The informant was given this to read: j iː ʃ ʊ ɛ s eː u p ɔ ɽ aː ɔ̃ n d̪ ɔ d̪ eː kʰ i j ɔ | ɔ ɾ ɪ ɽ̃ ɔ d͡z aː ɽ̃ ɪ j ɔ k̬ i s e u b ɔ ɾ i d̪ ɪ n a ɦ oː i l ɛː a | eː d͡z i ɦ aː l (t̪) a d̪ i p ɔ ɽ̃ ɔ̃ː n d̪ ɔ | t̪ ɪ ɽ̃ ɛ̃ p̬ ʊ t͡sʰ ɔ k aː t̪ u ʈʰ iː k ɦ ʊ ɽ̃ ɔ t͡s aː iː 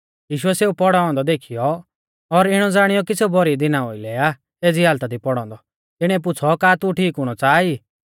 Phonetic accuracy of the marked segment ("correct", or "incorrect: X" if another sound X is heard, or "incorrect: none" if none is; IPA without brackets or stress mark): correct